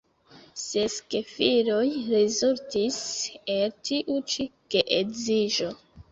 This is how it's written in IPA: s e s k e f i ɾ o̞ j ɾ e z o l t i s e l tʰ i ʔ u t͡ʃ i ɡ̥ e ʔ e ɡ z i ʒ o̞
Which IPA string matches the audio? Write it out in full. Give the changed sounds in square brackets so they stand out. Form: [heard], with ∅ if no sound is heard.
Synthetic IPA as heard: s e s k e f i ɾ o̞ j ɾ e z [u] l t i s e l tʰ i ʔ u t͡ʃ i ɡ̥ e ʔ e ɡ z i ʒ o̞